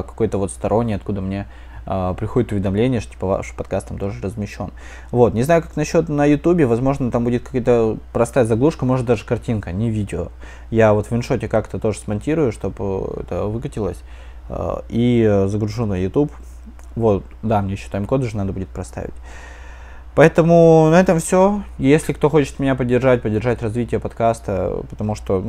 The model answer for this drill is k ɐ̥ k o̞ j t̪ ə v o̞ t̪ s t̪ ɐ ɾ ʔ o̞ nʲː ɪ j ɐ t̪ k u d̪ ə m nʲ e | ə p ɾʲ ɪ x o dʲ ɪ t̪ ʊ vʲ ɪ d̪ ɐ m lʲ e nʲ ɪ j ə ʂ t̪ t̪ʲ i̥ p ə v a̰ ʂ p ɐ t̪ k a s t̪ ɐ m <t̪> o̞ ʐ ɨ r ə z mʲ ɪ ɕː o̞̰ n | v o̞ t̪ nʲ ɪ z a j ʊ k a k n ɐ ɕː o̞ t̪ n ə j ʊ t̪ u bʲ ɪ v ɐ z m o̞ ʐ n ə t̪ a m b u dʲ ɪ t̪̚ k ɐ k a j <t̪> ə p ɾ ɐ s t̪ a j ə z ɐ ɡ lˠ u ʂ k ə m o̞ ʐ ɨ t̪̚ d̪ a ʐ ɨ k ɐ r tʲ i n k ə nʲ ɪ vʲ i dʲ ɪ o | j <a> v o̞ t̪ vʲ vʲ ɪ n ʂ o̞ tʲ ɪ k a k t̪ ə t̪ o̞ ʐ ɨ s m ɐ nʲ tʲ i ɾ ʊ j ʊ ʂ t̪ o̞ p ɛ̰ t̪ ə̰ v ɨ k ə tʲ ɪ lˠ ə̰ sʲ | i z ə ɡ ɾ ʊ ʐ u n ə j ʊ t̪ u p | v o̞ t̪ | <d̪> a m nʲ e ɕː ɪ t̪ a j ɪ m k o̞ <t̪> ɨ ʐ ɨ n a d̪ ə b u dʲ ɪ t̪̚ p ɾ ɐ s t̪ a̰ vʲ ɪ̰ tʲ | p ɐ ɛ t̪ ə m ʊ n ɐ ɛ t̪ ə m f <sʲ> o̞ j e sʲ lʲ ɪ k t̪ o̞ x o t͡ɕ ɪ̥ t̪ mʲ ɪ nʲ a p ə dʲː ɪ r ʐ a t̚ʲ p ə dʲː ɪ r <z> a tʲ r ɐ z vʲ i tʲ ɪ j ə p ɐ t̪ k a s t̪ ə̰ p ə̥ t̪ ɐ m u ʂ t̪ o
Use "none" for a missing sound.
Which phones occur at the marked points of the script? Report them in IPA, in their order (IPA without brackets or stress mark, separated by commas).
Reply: t̪, t̪, a, d̪, d̪, sʲ, ʐ